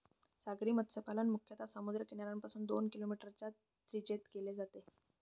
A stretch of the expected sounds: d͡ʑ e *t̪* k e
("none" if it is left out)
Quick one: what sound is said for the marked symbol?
t̪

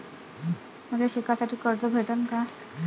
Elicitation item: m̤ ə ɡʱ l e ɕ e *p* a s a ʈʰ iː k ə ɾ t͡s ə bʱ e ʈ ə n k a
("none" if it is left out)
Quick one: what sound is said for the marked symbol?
k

